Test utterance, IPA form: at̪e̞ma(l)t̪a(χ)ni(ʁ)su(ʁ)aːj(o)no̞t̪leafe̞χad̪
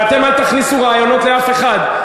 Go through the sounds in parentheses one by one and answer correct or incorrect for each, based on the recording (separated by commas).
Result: correct, correct, incorrect, correct, correct